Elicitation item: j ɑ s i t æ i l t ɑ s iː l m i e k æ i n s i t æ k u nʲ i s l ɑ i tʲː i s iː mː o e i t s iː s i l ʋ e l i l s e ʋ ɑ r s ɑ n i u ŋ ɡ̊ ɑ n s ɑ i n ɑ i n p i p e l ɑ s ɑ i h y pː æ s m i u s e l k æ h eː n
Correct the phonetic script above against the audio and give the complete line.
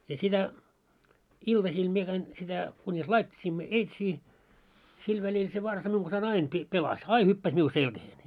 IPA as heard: j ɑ s i t æ i l t ɑ s iː l m i e k æ i n s i t æ k u nʲ i s l ɑ i tʲː i s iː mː o e i t s iː s i l ʋ æ l i l s e ʋ ɑ r s ɑ m i u ŋ ɡ̊ ɑ n s ɑ i n ɑ i n p i p e l ɑ s ɑ i h y pː æ s m i u s e l k æ h eː n

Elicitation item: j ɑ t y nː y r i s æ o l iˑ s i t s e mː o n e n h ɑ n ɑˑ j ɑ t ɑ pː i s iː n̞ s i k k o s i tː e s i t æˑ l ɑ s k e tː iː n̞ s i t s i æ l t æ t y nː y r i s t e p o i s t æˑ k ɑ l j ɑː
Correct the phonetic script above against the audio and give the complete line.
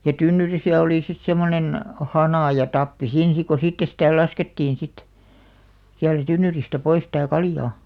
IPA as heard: j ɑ t y nː y r i s æ o l iˑ s i t s e mː o n e n h ɑ n ɑˑ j ɑ t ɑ pː i s iː n̞ s i k k o s i tː e s i t æˑ l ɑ s k e tː iː n̞ s i t s i æ l t æ t y nː y r i s t æ p o i s t æˑ k ɑ l j ɑː

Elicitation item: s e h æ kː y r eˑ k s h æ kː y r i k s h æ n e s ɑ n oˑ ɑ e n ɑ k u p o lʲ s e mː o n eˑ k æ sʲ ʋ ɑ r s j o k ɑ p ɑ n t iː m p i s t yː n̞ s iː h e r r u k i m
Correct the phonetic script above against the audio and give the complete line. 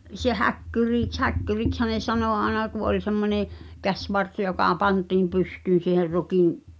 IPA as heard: s e h æ kː y r iˑ k s h æ kː y r i k s h æ n e s ɑ n oˑ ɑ e n ɑ k u ʔ o lʲ s e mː o n eˑ k æ sʲ ʋ ɑ r s j o k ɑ p ɑ n t iː m p y s t yː n̞ s iː h e r r u k i m

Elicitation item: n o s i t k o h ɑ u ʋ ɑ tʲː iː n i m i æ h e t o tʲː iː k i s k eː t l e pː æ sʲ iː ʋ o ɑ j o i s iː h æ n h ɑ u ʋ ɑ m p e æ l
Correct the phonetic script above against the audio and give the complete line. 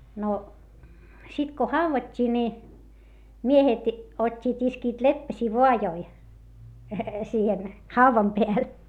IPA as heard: n o s i t k o h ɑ u ʋ ɑ tʲː iː n i m i e h e t o tʲː iː t i s k iː t l e pː æ sʲ iː ʋ o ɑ j o i s iː h e n h ɑ u ʋ ɑ m p e æ l

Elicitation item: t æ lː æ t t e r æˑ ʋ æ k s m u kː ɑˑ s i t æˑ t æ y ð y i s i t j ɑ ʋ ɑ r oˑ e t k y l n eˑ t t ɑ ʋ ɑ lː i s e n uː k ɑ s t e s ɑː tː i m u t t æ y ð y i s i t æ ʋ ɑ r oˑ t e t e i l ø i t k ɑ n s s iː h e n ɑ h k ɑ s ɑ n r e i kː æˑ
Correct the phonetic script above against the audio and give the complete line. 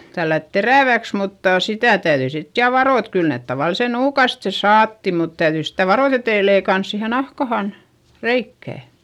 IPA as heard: t æ lː æ t t e r æˑ ʋ æ k s m u tː ɑˑ s i t æˑ t æ y ð y i s i t j ɑ ʋ ɑ r oˑ e t k y l n eˑ t t ɑ ʋ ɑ l i s e n uː k ɑ s t e s ɑː tː i m u t t æ y ð y i s i t æ ʋ ɑ r oˑ t e t e i l e i k ɑ n s s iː h e n ɑ h k ɑ h ɑ n r e i kː æˑ

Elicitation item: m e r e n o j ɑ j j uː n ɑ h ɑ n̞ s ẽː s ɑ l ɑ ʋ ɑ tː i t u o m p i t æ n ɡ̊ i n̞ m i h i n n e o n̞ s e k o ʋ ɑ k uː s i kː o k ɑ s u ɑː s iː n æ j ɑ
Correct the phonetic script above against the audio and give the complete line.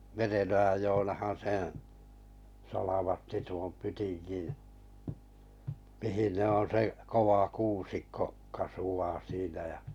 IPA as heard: m e r e n o j ɑ j j oː n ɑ h ɑ n̞ s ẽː s ɑ l ɑ ʋ ɑ tː i t u o m p y t i n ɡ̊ i n̞ m i h i n n e o n̞ s e k o ʋ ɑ k uː s i kː o k ɑ s u ɑː s iː n æ j ɑ

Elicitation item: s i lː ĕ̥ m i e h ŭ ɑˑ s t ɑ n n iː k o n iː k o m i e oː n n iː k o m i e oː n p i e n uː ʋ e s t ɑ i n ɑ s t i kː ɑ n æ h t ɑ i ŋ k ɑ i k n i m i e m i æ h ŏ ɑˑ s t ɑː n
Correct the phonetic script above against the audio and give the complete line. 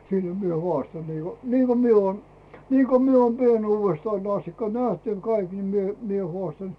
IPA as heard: s i lː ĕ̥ m i e h ŭ ɑˑ s t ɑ n n iː k o n iː k o m i e oː n n iː k o m i e oː n p i e n uː ʋ e s t ɑ i n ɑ s t i kː ɑ n æ h t ɑ i ŋ k ɑ i k n i m i e m i e h ŏ ɑˑ s t ɑ n

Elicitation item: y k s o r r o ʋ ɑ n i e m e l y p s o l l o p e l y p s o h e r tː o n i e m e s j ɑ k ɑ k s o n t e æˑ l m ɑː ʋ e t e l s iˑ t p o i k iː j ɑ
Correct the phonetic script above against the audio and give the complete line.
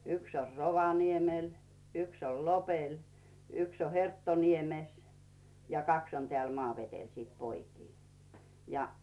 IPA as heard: y k s o r r o ʋ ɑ n i e m e l y k s o l l o p e l y k s o h e r tː o n i e m e s j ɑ k ɑ k s o n t e æˑ l m ɑː ʋ e t e l s iˑ t p o i k iː j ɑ

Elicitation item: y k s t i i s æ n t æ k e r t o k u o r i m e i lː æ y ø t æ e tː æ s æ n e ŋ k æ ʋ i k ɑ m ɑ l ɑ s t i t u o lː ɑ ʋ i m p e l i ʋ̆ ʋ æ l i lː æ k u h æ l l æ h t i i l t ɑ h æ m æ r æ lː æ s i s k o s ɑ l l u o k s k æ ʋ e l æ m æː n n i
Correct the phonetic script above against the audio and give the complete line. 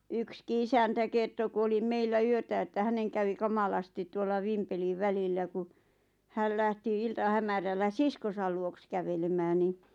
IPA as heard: y k s k i i s æ n t æ k e r t o k u o l i m e i lː æ y ø t æ e tː æ h æ n e ŋ k æ ʋ i k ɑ m ɑ l ɑ s t i t u o lː ɑ ʋ i m p e l i ʋ̆ ʋ æ l i lː æ k u h æ l l æ h t i i l t ɑ h æ m æ r æ lː æ s i s k o s ɑ l l u o k s k æ ʋ e l e m æː n n i

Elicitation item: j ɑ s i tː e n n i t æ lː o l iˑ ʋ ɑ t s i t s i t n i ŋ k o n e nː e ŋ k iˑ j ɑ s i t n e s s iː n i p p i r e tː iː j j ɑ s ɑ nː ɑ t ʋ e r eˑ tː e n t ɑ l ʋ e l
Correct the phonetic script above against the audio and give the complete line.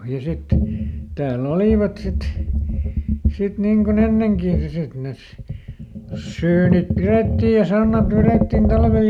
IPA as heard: j ɑ s i tː e n n i t æː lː o l iˑ ʋ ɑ t s i t s i t n i ŋ k o n e nː e ŋ k iˑ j ɑ s i t n e s s yː n i p p i r e tː iː j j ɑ s ɑ nː ɑ t ʋ e r eˑ tː i n t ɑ l ʋ e l

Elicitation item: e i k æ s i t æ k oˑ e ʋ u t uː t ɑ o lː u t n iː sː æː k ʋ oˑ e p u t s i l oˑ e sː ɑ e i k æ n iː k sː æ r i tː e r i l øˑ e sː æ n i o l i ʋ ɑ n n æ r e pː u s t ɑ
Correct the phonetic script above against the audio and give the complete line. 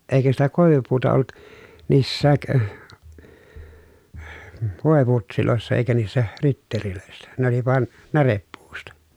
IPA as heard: e i k æ s i t æ k oˑ e ʋ u p uː t ɑ o lː u t n iː sː æː k ʋ oˑ e p u t s i l oˑ e sː ɑ e i k æ n iː sː æ r i tː e r i l øˑ e sː æ n e o l i ʋ ɑ n n æ r e pː uː s t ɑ

